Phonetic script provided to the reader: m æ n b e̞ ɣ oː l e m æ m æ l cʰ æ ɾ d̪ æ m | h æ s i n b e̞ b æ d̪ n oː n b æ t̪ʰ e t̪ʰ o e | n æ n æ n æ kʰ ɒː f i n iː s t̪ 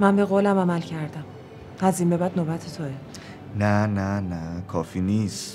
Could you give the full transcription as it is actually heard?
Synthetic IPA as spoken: m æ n b e̞ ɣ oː l æ m æ m æ l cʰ æ ɾ d̪ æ m | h æ z i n b e̞ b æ d̪ n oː b æ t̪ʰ e t̪ʰ o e | n æ n æ n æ kʰ ɒː f i n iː s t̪